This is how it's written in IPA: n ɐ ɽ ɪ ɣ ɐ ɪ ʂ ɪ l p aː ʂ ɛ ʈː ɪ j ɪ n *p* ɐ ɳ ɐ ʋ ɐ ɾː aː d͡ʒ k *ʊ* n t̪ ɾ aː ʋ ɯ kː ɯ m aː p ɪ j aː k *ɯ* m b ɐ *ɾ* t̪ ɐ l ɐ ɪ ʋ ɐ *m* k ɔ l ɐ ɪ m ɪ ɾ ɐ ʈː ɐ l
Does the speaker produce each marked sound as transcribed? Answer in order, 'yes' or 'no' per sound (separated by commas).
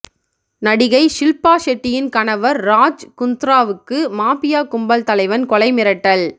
no, yes, no, no, no